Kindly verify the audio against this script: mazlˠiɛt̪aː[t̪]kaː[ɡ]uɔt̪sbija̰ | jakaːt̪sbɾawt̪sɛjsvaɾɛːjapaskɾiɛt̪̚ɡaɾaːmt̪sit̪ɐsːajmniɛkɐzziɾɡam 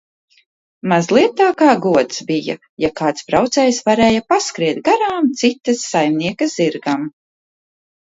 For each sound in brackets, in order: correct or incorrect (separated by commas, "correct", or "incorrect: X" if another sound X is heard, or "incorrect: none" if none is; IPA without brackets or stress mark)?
incorrect: none, correct